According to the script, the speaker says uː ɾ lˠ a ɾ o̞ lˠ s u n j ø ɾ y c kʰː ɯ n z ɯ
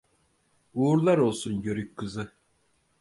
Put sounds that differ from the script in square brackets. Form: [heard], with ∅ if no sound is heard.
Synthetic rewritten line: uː ɾ lˠ a ɾ o̞ lˠ s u n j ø ɾ y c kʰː ɯ [∅] z ɯ

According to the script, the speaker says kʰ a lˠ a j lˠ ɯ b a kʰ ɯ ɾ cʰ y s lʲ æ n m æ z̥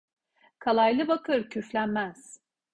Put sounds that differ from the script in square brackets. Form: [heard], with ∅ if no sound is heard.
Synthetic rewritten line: kʰ a lˠ a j lˠ ɯ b a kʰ ɯ ɾ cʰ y [f] lʲ æ n m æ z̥

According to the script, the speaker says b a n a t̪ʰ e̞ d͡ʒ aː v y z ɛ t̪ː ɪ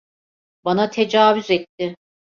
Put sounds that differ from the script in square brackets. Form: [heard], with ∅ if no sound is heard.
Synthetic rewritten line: b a n a t̪ʰ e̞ d͡ʒ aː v y z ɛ t̪ː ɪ

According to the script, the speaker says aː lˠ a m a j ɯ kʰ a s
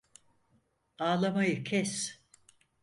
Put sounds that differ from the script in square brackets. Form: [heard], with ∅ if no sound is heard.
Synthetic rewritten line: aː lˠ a m a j ɯ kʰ [ɛ] s

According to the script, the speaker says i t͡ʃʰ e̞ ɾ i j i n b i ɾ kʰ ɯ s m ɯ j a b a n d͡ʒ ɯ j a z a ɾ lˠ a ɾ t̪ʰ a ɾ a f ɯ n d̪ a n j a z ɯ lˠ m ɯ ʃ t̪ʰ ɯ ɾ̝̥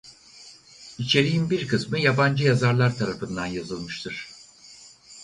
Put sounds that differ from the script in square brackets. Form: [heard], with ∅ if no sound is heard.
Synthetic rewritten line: i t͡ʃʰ e̞ ɾ i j i n b i ɾ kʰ ɯ s m ɯ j a b a n d͡ʒ ɯ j a z a ɾ lˠ a ɾ t̪ʰ a ɾ a f ɯ n d̪ a n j a z ɯ lˠ m ɯ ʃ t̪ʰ ɯ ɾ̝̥

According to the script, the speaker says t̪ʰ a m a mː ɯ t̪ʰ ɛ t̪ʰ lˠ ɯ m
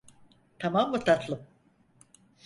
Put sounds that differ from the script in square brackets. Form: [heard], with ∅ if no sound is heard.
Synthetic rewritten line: t̪ʰ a m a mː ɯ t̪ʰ [a] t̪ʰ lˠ ɯ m

